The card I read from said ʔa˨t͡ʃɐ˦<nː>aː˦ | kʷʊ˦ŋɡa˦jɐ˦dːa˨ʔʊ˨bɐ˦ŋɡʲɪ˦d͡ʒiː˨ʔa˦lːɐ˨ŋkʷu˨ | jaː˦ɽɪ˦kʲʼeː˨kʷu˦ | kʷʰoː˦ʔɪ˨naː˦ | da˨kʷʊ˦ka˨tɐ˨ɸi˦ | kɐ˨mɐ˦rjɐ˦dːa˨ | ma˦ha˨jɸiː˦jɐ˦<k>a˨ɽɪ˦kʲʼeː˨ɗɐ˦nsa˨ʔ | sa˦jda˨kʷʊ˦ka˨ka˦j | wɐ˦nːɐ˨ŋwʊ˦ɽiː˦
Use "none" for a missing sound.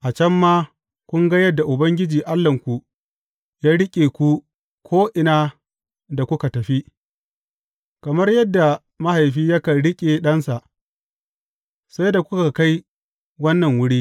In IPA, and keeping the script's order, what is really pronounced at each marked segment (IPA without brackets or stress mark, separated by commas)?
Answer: mː, k